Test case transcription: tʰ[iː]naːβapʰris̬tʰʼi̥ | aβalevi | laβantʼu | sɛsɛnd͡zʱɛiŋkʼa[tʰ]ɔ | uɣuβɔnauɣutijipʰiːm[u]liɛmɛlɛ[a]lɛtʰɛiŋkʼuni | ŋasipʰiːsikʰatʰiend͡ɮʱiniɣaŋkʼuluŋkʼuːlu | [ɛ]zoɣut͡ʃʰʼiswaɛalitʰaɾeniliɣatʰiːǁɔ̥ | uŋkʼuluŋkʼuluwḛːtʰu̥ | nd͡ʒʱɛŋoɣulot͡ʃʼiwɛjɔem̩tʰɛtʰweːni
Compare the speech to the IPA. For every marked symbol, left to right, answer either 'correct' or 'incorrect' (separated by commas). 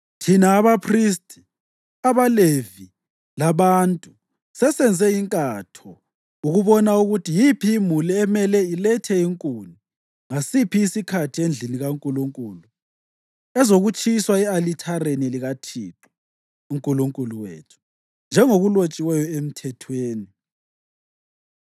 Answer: incorrect, correct, correct, incorrect, correct